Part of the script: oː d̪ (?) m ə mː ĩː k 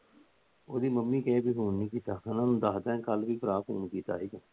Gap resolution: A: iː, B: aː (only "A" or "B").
A